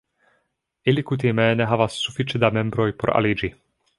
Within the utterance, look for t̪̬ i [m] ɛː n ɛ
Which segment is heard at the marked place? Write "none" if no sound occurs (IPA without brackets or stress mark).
m